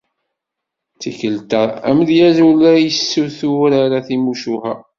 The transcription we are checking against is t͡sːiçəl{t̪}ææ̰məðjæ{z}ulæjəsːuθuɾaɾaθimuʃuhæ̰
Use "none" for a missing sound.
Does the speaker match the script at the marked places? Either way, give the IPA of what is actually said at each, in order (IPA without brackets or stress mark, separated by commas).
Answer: t̪, z